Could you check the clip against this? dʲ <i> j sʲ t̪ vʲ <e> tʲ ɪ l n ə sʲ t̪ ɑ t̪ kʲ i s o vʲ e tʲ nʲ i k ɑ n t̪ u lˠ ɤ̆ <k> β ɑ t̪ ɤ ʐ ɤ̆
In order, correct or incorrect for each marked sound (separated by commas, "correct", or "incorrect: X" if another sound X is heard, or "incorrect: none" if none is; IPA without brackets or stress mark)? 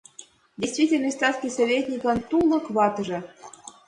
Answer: incorrect: e, incorrect: i, correct